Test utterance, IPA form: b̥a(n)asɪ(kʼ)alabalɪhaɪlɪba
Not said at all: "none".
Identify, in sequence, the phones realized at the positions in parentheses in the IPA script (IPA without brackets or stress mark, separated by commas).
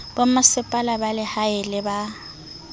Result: m, pʼ